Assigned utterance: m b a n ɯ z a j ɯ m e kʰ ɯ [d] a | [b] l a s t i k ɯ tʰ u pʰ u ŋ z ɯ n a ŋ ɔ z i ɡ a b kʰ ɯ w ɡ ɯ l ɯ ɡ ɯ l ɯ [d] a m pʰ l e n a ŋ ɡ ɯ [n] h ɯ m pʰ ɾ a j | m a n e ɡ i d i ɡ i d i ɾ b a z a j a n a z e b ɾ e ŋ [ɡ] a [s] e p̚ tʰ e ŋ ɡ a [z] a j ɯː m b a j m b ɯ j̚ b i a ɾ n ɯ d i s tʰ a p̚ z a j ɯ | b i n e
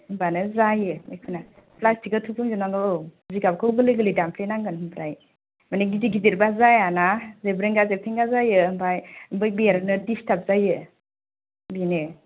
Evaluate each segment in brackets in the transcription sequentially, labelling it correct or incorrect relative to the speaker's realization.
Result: incorrect: n, incorrect: p, correct, correct, correct, incorrect: z, correct

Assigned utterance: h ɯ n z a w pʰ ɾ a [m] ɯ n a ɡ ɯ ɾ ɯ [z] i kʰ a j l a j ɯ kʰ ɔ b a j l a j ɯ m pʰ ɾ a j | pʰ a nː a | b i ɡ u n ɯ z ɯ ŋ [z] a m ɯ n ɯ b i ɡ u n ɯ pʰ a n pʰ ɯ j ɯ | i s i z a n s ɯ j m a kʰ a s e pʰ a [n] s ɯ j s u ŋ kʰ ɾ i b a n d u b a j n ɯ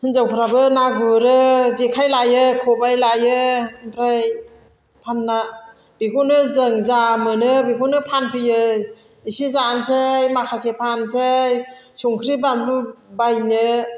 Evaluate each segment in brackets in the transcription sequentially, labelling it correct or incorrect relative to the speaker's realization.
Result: incorrect: b, correct, correct, correct

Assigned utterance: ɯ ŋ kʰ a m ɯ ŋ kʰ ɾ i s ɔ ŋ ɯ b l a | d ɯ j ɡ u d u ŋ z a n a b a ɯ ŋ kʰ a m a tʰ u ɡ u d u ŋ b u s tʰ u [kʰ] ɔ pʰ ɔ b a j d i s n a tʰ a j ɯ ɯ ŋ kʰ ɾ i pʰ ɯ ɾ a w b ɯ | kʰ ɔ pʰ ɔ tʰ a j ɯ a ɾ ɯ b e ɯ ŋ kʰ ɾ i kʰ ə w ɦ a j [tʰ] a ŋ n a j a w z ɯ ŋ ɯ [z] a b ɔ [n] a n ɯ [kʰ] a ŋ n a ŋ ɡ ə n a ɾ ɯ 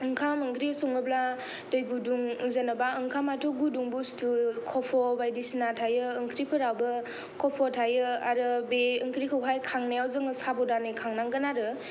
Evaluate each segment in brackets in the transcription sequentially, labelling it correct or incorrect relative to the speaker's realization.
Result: correct, incorrect: kʰ, incorrect: s, incorrect: d, correct

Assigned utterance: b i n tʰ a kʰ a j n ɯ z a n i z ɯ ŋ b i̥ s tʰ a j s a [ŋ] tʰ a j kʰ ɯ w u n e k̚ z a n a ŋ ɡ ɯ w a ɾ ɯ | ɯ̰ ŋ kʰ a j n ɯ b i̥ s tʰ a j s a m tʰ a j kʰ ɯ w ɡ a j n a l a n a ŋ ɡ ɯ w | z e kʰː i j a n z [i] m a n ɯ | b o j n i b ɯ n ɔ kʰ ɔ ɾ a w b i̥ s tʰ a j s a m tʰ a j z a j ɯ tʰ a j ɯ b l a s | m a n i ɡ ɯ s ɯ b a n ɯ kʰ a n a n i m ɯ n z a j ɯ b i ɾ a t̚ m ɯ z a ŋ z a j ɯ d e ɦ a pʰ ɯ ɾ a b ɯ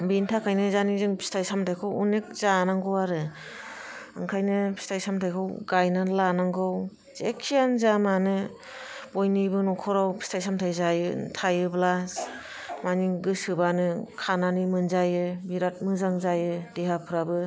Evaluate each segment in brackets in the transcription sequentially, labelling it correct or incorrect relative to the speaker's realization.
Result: incorrect: m, incorrect: a

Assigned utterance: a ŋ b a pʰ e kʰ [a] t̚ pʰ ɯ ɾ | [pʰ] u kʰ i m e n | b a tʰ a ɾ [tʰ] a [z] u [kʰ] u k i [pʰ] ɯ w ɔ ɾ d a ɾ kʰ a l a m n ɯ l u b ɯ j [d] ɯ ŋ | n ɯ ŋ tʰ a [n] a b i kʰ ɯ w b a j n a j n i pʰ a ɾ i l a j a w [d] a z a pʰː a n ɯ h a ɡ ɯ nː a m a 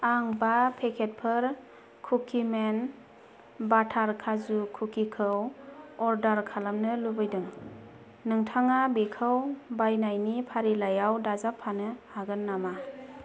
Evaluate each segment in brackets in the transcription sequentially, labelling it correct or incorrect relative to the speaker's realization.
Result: incorrect: e, incorrect: kʰ, incorrect: kʰ, correct, correct, incorrect: kʰ, correct, incorrect: ŋ, correct

